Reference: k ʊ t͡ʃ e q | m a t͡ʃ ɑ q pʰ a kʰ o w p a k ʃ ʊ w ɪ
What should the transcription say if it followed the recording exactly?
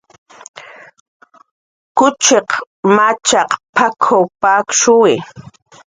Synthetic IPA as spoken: k ʊ t͡ʃ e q | m a t͡ʃ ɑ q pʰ a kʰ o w p a k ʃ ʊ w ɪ